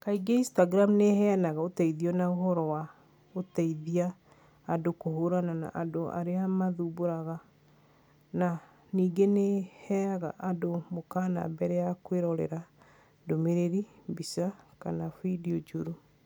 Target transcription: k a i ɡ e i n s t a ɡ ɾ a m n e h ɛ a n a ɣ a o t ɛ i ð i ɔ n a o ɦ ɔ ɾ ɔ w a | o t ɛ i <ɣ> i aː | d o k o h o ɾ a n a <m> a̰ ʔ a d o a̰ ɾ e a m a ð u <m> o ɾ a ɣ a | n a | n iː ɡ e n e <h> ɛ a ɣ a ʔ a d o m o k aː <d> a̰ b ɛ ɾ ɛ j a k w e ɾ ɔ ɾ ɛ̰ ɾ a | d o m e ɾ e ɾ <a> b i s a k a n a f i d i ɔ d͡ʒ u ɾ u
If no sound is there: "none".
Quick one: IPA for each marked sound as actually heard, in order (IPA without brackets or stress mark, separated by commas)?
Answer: ð, n, b, h, n, i